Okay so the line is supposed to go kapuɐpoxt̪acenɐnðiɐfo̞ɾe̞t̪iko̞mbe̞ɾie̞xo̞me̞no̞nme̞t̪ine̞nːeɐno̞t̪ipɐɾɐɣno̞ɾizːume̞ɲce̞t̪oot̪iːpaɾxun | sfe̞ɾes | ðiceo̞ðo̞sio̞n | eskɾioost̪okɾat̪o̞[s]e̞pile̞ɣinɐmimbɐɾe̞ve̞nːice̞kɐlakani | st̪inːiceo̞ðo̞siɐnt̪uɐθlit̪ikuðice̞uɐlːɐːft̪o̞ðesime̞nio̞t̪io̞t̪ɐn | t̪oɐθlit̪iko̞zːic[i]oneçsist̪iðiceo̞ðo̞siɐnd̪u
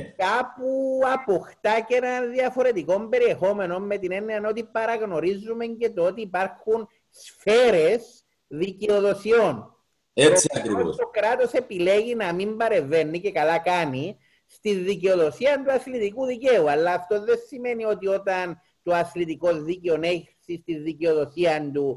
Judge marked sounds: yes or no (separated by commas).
yes, no